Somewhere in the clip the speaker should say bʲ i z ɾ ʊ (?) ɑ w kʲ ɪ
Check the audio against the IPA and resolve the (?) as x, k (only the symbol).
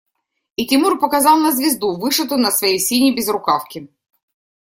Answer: k